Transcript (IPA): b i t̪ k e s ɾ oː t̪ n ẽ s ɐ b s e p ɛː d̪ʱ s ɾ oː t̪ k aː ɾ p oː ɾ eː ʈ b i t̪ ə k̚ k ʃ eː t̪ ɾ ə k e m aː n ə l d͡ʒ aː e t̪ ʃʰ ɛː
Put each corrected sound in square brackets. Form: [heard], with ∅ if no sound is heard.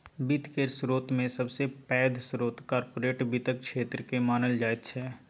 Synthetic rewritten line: b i t̪ k e s ɾ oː t̪ [m] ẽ s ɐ b s e p ɛː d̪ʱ s ɾ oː t̪ k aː ɾ p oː ɾ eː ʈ b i t̪ ə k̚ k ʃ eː t̪ ɾ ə k e m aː n ə l d͡ʒ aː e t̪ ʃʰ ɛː